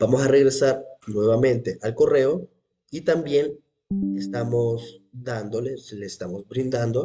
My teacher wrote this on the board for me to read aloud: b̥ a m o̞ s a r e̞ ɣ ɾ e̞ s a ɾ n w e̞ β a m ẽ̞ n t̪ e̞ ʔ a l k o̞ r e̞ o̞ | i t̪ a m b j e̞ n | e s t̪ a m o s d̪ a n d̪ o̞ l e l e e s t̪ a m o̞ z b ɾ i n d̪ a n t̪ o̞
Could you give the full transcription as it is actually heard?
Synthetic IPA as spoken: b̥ a m o̞ s a r e̞ ɣ ɾ e̞ s a ɾ n w e̞ β a m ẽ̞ n t̪ e̞ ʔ a l k o̞ r e̞ o̞ | i t̪ a m b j e̞ n | e s t̪ a m o s d̪ a n d̪ o̞ l e l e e s t̪ a m o̞ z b ɾ i n d̪ a n d̪ o̞